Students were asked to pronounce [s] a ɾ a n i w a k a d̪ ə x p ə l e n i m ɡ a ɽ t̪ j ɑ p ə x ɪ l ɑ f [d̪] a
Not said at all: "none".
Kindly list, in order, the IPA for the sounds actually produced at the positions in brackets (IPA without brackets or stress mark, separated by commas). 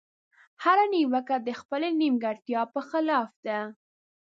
h, d̪